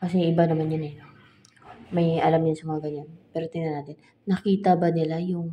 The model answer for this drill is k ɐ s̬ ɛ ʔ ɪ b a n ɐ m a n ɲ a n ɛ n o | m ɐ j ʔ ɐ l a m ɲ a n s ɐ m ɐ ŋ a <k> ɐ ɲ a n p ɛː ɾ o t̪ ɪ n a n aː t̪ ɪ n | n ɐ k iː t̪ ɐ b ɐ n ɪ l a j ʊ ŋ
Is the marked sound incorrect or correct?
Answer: incorrect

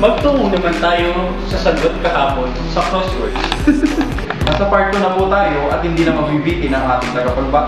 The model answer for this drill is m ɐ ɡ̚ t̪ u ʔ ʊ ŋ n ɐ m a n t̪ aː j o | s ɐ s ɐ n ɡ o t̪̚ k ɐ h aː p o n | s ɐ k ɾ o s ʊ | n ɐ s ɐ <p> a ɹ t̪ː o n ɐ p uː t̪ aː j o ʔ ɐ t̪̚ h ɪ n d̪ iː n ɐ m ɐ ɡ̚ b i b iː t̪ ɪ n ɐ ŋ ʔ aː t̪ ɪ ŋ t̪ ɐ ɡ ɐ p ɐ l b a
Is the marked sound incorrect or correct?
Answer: correct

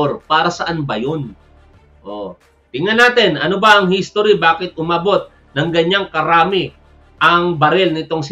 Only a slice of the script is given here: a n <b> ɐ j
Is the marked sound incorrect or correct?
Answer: correct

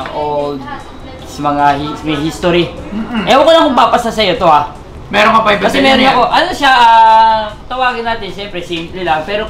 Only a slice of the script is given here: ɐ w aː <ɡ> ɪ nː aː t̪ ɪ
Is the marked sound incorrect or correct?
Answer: correct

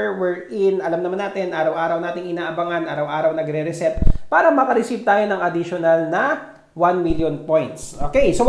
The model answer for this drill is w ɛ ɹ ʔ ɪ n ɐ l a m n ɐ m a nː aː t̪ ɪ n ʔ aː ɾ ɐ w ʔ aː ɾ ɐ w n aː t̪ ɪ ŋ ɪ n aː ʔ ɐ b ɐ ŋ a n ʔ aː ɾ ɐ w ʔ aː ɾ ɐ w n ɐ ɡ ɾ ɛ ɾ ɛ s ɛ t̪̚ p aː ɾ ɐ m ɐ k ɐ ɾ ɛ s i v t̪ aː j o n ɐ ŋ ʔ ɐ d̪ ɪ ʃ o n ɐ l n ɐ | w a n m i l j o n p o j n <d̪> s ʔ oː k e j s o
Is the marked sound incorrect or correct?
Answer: incorrect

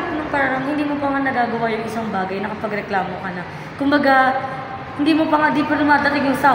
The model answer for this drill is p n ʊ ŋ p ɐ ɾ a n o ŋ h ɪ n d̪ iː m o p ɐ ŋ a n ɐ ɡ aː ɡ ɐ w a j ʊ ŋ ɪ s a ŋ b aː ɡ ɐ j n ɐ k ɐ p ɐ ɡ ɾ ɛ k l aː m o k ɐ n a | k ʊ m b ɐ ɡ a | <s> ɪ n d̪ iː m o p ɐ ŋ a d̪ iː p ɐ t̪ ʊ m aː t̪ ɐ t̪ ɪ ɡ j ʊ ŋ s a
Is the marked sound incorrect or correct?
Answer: incorrect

